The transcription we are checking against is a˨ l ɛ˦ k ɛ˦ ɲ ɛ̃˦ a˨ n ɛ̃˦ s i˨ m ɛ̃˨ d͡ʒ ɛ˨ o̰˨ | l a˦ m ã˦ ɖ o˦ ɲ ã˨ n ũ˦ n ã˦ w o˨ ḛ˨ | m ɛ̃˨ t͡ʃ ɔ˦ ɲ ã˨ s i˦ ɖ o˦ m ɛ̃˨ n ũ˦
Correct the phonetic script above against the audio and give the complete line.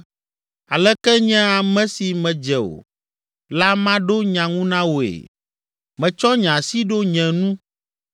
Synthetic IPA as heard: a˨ l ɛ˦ k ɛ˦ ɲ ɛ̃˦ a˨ m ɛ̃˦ s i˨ m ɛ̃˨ d͡ʒ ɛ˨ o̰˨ | l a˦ m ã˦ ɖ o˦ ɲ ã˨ ŋ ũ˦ n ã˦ w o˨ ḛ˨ | m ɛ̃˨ t͡ʃ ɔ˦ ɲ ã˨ s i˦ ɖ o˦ ɲ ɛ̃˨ n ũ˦